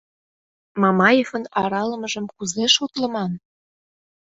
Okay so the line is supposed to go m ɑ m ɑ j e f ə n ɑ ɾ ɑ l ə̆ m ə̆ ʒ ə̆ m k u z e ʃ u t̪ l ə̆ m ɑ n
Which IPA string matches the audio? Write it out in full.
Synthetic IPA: m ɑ m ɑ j e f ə n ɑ ɾ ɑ l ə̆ m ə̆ ʒ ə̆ m k u z e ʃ o t̪ l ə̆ m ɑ n